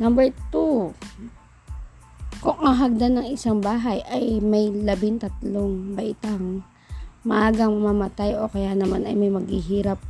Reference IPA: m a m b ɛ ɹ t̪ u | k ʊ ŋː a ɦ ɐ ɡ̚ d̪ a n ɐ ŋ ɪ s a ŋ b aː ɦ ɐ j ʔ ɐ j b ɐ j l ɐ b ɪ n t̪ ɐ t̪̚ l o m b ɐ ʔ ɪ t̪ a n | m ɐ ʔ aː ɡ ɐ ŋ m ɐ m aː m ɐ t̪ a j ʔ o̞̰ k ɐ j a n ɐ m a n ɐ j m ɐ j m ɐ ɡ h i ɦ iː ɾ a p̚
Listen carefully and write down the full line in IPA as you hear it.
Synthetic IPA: n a m b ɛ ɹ t̪ u | k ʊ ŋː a ɦ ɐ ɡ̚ d̪ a n ɐ ŋ ɪ s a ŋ b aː ɦ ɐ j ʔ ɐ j m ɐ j l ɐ b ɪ n t̪ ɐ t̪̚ l o ŋ b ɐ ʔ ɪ t̪ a ŋ | m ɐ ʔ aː ɡ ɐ ŋ m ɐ m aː m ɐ t̪ a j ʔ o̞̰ k ɐ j a n ɐ m a n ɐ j m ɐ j m ɐ ɡ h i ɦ iː ɾ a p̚